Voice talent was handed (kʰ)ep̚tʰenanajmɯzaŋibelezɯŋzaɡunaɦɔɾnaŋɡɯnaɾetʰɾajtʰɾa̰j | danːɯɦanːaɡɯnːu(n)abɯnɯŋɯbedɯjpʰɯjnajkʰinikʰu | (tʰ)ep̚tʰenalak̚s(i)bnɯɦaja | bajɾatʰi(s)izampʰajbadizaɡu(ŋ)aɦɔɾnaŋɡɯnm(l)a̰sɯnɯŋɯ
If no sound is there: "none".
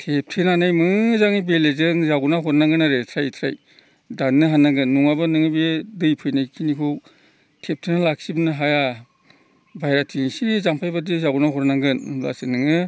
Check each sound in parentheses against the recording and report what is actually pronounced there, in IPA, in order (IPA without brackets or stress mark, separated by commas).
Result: tʰ, ŋ, tʰ, i, s, n, l